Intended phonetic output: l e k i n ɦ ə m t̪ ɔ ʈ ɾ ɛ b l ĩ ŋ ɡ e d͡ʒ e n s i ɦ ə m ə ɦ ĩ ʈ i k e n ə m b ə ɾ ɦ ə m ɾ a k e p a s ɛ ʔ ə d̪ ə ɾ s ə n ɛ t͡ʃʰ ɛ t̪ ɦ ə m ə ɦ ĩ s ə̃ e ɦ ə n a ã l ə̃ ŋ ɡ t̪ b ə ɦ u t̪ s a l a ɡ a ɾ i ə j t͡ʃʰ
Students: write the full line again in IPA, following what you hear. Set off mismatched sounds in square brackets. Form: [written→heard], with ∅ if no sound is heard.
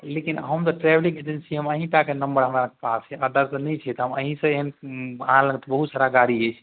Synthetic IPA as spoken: l e k i n ɦ ə m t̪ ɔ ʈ ɾ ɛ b l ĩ ŋ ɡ e d͡ʒ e n s i ɦ ə m ə ɦ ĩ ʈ [i→a] k e n ə m b ə ɾ ɦ ə m ɾ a k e p a s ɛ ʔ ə d̪ ə ɾ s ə n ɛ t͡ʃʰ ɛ t̪ ɦ ə m ə ɦ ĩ s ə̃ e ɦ ə n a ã l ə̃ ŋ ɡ t̪ b ə ɦ u t̪ s a [l→ɾ] a ɡ a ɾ i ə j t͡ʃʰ